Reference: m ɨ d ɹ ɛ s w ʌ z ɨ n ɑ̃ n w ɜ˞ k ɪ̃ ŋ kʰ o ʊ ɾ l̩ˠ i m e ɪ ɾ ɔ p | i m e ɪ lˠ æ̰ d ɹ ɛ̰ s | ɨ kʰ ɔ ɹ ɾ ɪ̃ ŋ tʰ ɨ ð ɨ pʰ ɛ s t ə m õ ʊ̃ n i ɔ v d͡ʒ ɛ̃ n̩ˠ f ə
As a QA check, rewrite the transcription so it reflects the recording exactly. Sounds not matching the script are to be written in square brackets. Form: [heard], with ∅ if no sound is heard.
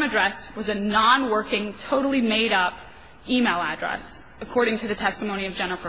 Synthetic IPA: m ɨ d ɹ ɛ s w ʌ z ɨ n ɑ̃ n w ɜ˞ k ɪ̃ ŋ [tʰ] o ʊ ɾ l̩ˠ i m e ɪ ɾ [ʌ] p | i m e ɪ lˠ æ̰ d ɹ ɛ̰ s | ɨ kʰ ɔ ɹ ɾ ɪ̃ ŋ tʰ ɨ ð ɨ [tʰ] ɛ s t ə m õ ʊ̃ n i [ʌ] v d͡ʒ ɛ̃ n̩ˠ f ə